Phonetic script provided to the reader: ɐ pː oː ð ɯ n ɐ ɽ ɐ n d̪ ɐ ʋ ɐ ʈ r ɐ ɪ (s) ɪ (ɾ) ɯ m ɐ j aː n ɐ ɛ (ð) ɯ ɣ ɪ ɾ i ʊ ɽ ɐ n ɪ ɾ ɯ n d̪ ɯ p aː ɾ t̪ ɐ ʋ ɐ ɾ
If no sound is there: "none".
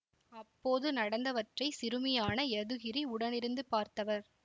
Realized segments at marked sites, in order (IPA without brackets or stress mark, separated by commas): s, ɾ, ð